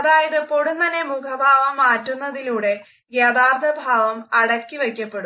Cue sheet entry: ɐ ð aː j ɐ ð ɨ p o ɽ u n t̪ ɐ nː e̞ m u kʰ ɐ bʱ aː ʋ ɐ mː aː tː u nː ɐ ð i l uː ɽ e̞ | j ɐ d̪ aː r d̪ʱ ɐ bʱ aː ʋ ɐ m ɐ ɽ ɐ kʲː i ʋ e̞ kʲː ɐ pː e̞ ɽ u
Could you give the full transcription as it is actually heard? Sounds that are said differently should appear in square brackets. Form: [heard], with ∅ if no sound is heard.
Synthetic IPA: ɐ ð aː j ɐ ð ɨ p o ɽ u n t̪ ɐ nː e̞ m u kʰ ɐ bʱ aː ʋ ɐ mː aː tː u nː ɐ ð i l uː ɽ e̞ | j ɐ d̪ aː r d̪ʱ ɐ bʱ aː ʋ ɐ m ɐ ɽ ɐ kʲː i ʋ e̞ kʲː ɐ pː e̞ ɽ u